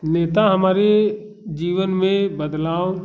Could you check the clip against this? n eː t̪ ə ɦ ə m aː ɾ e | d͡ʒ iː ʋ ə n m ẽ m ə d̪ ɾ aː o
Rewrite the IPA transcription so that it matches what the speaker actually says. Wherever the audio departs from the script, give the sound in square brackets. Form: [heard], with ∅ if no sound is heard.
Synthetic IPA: n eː t̪ [a] ɦ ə m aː ɾ e | d͡ʒ iː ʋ ə n m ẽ [b] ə d̪ [l] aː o